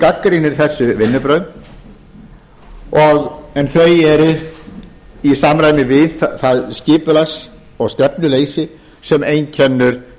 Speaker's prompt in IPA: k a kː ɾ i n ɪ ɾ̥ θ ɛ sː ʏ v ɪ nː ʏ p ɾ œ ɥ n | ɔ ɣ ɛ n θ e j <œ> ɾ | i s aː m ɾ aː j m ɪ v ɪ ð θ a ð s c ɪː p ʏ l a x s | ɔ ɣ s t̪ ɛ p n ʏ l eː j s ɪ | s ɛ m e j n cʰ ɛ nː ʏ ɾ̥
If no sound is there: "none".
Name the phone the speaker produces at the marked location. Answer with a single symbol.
ɛ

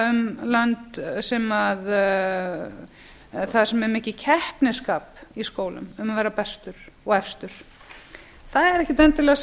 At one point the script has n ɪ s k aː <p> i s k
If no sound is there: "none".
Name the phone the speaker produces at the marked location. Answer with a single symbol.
p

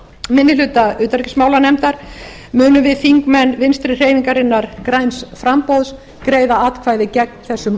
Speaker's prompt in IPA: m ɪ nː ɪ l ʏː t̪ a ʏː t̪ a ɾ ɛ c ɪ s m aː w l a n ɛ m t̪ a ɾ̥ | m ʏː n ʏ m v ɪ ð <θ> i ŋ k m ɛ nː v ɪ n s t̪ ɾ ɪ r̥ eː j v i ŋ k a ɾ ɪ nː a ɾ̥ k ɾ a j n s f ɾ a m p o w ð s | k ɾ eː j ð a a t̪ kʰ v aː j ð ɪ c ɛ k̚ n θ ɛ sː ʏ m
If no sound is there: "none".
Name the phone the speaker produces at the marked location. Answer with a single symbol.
f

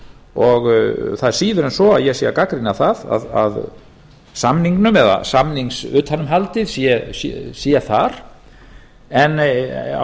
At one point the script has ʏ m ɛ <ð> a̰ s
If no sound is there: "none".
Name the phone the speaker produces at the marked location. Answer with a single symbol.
ð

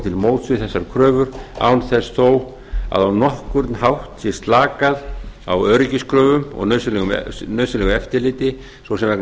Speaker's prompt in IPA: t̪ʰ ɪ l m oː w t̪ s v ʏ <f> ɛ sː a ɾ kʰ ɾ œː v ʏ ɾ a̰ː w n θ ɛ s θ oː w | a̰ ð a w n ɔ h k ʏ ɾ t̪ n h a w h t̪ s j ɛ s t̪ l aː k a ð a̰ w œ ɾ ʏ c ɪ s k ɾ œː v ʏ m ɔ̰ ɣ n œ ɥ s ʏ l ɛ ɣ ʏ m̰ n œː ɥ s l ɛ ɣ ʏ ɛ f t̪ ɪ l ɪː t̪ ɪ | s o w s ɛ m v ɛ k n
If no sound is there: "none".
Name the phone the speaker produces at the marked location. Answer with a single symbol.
θ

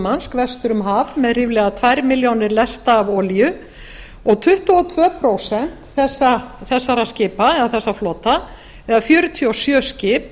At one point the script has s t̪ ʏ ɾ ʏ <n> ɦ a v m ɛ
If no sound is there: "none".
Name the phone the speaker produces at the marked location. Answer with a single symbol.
m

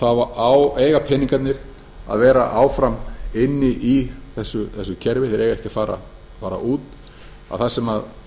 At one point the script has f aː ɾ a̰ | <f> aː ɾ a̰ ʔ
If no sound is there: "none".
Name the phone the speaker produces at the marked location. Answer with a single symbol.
f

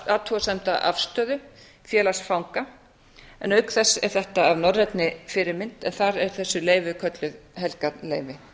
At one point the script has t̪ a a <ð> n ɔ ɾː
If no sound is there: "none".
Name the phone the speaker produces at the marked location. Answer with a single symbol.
v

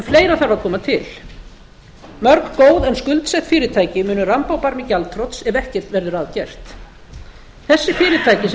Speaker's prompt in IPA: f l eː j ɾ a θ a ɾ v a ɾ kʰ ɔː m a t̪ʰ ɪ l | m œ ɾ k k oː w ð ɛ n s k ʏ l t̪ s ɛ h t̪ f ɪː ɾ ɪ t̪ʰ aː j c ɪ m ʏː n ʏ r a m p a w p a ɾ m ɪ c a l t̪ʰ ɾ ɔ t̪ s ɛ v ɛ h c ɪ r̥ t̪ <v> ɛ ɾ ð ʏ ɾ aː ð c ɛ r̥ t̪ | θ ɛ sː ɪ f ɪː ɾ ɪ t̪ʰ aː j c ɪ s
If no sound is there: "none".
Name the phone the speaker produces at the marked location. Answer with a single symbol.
v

